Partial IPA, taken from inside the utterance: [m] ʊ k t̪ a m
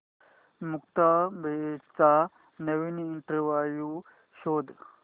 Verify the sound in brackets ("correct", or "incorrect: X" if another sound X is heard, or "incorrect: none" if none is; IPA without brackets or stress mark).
correct